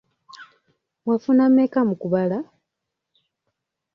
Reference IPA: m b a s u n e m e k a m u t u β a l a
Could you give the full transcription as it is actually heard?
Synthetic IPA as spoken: m w a f u n a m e k a m u k u β a l a

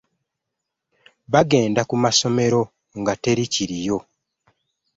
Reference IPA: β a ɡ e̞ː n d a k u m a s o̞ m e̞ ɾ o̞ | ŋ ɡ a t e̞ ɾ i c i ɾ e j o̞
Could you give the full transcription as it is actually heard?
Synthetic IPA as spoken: β a ɡ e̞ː n d a k u m a s o̞ m e̞ ɾ o̞ | ŋ ɡ a t e̞ ɾ i c i ɾ i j o̞

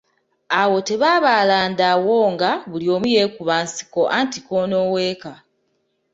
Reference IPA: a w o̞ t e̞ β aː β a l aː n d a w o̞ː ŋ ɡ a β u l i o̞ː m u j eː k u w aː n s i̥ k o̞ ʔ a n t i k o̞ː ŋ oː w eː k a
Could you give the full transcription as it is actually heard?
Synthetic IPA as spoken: a w o̞ t e̞ β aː β a l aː n d a w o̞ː ŋ ɡ a β u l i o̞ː m u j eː k u β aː n s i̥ k o̞ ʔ a n t i k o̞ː n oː w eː k a

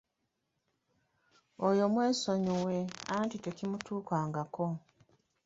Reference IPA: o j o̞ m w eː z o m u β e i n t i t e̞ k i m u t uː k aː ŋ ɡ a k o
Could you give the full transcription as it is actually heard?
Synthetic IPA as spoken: o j o̞ m w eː s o ɲ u w e a n t i t e̞ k i m u t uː k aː ŋ ɡ a k o

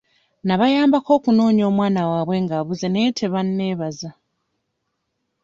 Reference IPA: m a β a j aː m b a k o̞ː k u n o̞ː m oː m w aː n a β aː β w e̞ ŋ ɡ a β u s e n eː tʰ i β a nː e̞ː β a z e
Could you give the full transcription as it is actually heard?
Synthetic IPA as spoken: n a β a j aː m b a k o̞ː k u n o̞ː ɲ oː m w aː n a w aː β w e̞ ŋ ɡ a β u z e n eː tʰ e β a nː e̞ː β a z a

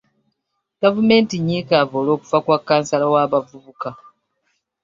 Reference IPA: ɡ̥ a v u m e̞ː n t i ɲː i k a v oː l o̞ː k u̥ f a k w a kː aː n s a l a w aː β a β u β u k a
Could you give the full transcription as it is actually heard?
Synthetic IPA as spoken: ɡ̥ a v u m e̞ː n t i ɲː i k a v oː l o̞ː k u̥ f a k w a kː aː n s a l a w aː β a v u β u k a

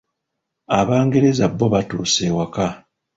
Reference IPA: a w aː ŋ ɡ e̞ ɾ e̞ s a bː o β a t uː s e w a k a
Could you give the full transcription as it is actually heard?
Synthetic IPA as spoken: a β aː ŋ ɡ e̞ ɾ e̞ z a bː o β a t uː s e w a k a

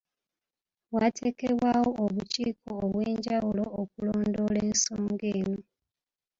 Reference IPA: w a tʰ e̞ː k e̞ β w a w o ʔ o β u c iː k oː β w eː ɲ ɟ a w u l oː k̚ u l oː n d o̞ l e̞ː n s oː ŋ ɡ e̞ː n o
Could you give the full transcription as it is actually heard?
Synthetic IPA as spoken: w a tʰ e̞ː k e̞ β w a w o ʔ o β u c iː k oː β w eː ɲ ɟ a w u l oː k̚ u l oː n d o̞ l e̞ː n s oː ŋ ɡ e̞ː n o

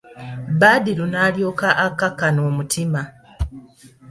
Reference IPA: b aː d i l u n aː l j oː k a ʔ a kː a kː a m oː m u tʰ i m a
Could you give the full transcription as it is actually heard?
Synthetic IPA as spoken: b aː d i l u n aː l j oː k a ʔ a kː a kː a n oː m u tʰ i m a

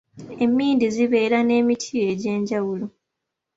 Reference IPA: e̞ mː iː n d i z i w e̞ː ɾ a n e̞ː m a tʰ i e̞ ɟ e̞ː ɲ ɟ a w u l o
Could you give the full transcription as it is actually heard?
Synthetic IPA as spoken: e̞ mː iː n d i z i β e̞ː ɾ a n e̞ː m i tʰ i e̞ ɟ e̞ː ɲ ɟ a w u l o

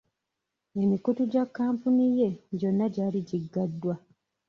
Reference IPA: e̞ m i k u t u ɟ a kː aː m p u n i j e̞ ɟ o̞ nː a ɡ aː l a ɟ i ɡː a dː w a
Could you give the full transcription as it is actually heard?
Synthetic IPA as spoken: e̞ m i k u t u ɟ a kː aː m p u n i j e̞ ɟ o̞ nː a ɟ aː l i ɟ i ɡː a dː w a

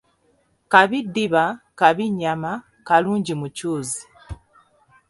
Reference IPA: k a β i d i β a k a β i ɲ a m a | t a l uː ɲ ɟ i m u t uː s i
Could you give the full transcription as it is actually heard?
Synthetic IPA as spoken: k a β i d i β a k a β i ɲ a m a | k a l uː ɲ ɟ i m u c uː z i

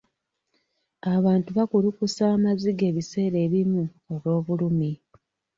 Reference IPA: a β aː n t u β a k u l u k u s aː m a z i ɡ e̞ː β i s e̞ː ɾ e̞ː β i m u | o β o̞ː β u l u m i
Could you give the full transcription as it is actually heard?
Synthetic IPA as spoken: a β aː n t u β a k u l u k u s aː m a z i ɡ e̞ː β i s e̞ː ɾ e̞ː β i m u | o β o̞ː β u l u m i

